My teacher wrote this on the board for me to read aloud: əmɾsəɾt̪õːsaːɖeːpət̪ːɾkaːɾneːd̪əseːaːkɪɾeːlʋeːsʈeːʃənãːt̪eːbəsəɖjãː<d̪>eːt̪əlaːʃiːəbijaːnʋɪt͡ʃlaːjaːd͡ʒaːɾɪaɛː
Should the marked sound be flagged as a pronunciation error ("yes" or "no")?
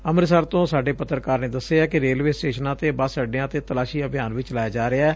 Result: yes